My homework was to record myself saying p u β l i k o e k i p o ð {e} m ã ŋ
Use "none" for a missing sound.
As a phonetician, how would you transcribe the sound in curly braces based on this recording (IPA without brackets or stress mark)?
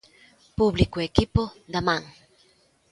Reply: a